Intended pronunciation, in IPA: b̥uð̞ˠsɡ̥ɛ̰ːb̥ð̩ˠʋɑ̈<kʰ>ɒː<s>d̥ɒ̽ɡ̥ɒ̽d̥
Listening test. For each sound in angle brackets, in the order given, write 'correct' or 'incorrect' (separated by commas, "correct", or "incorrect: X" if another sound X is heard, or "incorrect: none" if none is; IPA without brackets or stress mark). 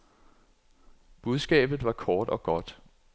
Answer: correct, incorrect: none